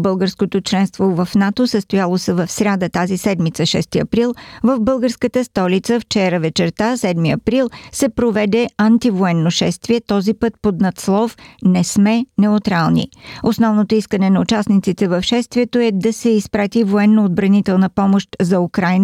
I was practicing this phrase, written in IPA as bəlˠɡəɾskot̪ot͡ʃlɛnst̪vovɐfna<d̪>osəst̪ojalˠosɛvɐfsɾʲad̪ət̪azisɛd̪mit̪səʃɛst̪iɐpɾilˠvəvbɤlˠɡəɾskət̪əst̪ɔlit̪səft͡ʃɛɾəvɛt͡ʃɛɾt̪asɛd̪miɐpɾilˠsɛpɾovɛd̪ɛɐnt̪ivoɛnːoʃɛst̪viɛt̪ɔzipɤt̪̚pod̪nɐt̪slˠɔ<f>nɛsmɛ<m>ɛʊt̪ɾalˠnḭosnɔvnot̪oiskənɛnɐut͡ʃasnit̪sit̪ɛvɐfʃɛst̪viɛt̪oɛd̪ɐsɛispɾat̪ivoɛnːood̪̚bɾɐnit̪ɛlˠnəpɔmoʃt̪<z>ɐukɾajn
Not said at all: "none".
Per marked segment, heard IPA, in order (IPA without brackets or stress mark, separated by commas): t̪, f, n, z